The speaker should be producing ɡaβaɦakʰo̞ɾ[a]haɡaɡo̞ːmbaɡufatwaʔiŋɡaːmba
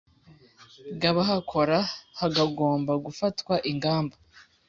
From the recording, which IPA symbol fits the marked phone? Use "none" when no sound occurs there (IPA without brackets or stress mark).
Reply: a